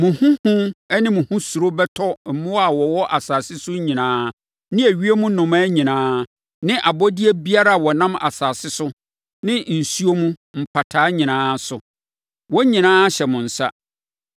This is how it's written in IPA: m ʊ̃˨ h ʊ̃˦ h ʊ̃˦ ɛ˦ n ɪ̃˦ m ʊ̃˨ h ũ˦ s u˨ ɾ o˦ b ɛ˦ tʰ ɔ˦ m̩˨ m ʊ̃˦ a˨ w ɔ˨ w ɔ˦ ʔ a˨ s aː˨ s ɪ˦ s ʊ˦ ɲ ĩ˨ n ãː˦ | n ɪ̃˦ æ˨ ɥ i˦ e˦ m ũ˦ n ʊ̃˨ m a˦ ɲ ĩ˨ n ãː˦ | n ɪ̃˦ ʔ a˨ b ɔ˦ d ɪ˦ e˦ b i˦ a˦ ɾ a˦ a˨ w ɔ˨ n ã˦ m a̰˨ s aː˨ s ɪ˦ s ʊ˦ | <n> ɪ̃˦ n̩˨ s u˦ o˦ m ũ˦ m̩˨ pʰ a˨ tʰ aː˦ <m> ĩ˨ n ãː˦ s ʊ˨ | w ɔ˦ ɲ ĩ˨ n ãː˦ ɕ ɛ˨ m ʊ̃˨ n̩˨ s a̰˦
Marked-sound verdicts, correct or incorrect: correct, incorrect: ɲ

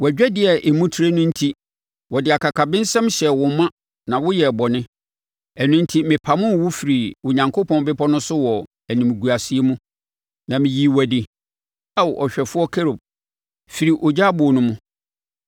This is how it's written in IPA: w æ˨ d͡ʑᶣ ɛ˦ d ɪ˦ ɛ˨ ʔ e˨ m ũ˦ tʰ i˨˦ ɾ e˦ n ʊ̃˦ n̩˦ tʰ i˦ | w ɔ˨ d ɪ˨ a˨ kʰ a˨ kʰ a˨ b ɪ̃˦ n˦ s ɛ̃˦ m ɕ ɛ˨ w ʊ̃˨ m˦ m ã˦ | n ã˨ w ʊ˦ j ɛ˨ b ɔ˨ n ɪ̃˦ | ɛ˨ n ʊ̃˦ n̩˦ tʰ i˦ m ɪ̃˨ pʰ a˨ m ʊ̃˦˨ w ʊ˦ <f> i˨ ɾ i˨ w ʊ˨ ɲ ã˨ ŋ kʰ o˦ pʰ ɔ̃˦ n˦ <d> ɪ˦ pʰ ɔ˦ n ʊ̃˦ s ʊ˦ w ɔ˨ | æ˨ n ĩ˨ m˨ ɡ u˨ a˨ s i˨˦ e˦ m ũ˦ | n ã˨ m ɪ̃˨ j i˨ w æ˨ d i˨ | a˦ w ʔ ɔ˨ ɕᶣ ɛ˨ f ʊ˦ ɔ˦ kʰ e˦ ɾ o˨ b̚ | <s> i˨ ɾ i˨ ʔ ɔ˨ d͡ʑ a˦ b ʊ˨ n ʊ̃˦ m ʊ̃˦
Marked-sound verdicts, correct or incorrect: correct, incorrect: b, incorrect: f

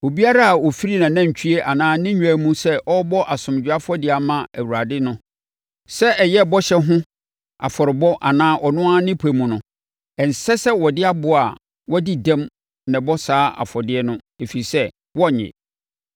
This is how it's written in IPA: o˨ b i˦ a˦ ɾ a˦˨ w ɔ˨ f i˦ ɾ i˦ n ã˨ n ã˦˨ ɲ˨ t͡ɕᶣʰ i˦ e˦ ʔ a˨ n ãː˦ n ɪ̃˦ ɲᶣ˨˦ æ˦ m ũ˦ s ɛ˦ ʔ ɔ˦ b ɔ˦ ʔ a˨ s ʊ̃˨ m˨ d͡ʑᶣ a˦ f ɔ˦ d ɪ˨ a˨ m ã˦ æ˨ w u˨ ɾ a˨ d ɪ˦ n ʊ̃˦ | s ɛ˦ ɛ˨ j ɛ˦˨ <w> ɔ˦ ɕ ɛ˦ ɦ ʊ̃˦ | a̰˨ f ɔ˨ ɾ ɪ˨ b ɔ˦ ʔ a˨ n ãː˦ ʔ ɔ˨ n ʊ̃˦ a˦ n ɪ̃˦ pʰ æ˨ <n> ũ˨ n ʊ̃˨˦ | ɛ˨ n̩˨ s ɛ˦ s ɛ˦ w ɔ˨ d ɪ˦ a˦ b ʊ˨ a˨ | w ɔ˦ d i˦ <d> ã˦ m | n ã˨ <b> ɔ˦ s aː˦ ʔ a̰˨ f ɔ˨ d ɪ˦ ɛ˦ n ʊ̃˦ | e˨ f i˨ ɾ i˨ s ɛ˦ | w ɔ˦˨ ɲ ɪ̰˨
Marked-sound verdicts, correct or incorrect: incorrect: b, incorrect: m, correct, correct

